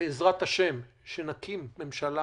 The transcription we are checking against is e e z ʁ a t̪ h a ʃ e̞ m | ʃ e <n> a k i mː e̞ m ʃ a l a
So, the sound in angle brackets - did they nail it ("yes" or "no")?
yes